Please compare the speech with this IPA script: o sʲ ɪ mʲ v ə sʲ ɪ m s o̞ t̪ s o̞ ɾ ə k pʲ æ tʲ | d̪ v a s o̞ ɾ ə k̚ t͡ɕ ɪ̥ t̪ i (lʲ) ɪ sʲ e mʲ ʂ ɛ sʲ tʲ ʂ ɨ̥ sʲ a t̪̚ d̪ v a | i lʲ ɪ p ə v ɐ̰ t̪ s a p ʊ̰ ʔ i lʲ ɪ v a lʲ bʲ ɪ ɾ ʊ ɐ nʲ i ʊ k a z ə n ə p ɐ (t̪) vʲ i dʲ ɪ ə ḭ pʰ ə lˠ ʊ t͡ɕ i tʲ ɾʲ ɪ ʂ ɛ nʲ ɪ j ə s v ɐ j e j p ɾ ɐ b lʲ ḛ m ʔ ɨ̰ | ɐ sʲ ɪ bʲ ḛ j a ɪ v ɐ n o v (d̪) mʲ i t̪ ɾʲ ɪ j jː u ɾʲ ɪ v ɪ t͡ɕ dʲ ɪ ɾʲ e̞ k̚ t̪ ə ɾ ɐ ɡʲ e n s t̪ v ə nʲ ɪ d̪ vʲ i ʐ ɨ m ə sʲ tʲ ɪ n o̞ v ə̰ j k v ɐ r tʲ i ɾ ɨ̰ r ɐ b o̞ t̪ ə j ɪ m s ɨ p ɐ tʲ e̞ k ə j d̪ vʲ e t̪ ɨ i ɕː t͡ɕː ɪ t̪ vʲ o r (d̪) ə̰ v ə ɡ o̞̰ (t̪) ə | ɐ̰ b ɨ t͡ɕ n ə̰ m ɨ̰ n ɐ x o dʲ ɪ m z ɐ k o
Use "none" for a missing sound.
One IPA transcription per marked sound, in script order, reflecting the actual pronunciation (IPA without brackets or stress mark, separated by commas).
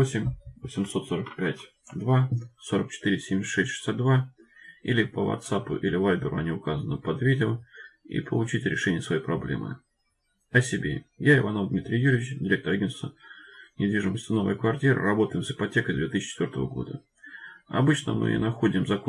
ɾʲ, d̪, d̪, t̪, d̪